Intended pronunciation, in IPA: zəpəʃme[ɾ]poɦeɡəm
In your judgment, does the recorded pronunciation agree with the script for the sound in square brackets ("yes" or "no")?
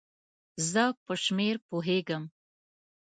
yes